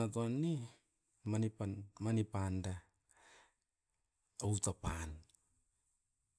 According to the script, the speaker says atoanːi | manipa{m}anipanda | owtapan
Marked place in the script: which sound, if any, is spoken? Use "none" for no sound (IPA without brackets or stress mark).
m